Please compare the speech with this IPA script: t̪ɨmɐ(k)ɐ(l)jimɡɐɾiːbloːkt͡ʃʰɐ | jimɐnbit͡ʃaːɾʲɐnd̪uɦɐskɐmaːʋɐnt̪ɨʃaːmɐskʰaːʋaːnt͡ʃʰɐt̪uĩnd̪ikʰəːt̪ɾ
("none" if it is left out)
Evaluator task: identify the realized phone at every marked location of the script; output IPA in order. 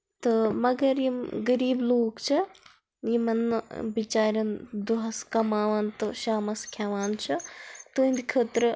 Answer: ɡ, ɾ

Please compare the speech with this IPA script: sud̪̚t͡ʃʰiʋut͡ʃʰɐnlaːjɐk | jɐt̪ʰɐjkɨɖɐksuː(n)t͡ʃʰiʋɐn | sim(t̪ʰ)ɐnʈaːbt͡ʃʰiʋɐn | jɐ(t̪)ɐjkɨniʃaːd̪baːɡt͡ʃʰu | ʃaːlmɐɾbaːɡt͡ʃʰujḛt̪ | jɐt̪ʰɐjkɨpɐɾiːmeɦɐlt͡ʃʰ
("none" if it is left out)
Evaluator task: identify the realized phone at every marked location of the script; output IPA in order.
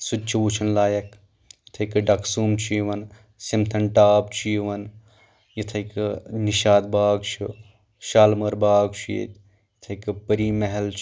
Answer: m, t̪ʰ, t̪ʰ

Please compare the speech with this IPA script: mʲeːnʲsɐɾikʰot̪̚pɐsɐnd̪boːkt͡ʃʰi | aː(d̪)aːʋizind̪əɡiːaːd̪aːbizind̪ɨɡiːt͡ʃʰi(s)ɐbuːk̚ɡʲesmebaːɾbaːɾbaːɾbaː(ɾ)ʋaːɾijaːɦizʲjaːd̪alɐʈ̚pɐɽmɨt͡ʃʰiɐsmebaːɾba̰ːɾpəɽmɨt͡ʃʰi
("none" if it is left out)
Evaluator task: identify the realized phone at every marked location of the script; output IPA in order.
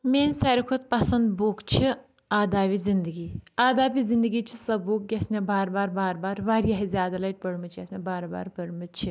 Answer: d̪, s, ɾ

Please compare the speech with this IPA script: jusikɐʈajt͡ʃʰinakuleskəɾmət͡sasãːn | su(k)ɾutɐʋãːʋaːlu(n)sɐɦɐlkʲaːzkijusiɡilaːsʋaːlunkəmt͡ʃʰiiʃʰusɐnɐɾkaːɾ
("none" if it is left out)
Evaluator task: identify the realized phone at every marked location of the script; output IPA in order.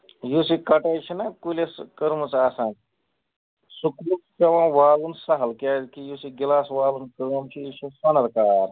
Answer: k, n

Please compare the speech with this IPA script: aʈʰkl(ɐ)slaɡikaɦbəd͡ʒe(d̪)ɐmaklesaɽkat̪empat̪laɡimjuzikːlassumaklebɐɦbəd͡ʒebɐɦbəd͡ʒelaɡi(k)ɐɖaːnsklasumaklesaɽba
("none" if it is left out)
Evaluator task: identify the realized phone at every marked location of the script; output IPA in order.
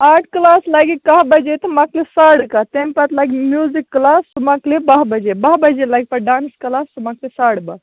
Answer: a, t̪, p

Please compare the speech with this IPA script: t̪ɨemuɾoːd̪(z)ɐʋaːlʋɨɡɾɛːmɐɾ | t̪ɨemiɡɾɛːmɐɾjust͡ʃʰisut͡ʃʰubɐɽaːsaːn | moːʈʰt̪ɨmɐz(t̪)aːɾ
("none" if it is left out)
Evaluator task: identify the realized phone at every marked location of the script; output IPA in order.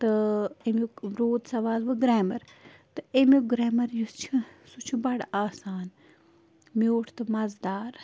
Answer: s, d̪

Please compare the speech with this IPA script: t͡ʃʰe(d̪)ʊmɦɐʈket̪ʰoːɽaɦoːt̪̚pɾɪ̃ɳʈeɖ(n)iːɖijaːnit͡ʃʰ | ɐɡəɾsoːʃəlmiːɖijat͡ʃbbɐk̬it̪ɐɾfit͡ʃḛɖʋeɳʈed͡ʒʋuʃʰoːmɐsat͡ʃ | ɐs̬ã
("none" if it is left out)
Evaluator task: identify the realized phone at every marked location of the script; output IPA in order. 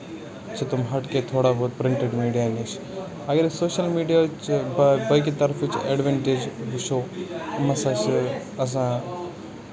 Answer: t̪, m

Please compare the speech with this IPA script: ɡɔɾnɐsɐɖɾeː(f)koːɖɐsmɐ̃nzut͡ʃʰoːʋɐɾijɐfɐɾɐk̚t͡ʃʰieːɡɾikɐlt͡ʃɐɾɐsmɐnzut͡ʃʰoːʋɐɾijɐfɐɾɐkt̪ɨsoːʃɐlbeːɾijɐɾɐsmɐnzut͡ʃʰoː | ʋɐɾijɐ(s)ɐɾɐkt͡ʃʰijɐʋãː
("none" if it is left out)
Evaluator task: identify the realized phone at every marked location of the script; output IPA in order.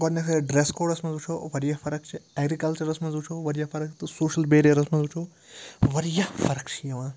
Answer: s, f

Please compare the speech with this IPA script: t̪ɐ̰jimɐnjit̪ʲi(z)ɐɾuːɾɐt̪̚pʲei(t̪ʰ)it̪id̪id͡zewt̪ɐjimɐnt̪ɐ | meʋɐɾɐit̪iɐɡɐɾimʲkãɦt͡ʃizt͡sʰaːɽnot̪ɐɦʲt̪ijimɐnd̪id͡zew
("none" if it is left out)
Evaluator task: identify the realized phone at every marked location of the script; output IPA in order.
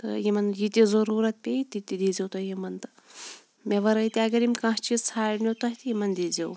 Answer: z, t̪

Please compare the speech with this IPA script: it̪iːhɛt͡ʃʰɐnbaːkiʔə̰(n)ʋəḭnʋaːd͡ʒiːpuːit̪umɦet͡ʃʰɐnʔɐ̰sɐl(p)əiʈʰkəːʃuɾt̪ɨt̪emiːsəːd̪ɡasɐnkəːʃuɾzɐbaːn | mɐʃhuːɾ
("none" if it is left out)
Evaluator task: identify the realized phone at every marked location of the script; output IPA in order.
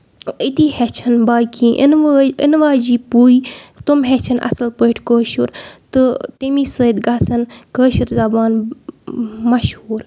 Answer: n, p

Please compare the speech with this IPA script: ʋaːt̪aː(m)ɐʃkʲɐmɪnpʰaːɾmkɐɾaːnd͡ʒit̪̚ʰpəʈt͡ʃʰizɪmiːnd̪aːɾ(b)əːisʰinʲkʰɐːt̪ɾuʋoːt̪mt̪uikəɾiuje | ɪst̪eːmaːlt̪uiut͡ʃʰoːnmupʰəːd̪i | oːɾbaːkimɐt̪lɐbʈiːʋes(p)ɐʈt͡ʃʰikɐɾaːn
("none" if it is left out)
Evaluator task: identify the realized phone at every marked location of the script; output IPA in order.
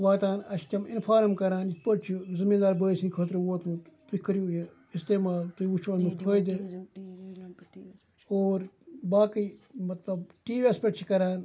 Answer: n, b, p

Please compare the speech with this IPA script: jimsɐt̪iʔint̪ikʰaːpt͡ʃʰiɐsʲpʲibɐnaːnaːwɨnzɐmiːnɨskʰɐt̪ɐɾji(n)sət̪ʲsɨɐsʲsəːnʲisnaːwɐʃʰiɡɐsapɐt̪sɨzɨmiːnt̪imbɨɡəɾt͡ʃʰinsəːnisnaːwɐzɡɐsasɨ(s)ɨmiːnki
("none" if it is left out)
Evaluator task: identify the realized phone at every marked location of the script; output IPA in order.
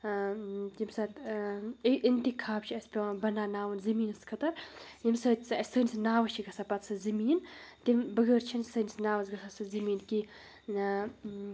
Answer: m, z

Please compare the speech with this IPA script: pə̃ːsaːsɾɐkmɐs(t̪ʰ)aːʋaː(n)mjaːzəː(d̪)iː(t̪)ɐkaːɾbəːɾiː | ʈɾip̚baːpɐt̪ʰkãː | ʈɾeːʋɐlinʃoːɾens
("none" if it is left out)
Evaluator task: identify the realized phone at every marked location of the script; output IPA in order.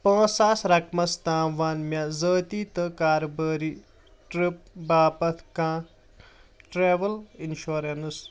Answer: t̪, n, t̪, t̪

